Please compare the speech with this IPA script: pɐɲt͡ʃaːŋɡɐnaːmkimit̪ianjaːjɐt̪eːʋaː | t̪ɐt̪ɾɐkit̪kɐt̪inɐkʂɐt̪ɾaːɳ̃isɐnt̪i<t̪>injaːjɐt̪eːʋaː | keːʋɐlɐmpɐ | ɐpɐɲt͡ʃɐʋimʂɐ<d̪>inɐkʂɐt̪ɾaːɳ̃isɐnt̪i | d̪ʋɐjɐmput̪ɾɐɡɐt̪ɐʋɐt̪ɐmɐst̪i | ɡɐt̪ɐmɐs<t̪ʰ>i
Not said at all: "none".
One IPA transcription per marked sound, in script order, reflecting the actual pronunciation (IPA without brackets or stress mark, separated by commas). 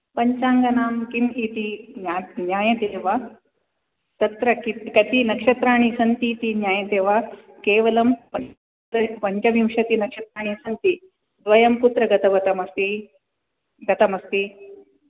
t̪, t̪, t̪